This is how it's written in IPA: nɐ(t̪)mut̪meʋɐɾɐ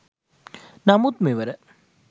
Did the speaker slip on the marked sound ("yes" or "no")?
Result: yes